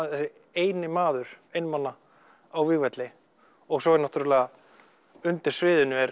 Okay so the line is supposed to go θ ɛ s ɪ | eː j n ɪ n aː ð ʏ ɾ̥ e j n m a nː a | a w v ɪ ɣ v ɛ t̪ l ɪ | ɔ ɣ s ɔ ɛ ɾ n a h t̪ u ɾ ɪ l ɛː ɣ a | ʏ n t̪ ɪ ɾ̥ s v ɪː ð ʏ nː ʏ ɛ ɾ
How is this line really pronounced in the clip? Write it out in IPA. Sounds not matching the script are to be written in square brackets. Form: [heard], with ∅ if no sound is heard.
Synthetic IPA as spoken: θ ɛ s ɪ | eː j n ɪ [m] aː ð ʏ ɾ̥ e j n m a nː a | a w v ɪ ɣ v ɛ t̪ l ɪ | ɔ ɣ s ɔ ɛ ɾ n a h t̪ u ɾ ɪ l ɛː ɣ a | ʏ n t̪ ɪ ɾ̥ s v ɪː ð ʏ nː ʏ ɛ ɾ